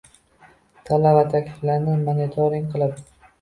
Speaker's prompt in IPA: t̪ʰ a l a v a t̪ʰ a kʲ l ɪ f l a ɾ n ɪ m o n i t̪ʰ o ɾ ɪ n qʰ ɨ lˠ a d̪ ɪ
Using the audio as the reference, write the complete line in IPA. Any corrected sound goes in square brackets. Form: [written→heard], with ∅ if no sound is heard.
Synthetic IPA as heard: t̪ʰ a l a v a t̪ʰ a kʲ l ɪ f l a ɾ n ɪ m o n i t̪ʰ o ɾ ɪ [n→ŋ] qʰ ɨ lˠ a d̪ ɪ